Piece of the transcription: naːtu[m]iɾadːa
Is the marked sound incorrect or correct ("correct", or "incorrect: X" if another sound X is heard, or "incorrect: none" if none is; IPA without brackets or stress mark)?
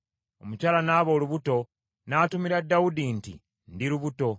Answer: correct